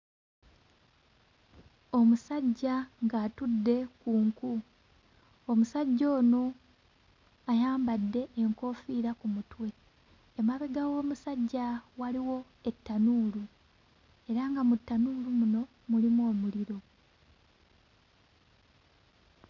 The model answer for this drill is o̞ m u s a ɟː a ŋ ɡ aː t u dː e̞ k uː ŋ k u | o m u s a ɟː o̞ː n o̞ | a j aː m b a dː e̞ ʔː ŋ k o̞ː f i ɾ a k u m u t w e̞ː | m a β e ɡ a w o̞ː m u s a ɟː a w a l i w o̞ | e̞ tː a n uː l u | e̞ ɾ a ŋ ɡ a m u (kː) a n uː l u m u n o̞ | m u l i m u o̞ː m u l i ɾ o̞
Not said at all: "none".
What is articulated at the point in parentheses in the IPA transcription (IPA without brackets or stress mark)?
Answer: tː